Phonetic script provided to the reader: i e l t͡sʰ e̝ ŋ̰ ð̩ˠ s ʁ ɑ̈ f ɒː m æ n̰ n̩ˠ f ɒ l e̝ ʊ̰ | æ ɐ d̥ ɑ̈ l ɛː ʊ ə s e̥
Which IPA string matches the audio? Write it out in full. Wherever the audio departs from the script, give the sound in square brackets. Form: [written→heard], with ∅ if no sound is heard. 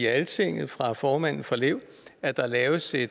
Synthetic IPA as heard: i [e→æ] l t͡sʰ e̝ ŋ̰ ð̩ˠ [s→f] ʁ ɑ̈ f ɒː m æ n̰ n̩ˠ f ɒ l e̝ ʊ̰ | æ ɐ d̥ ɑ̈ l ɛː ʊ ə s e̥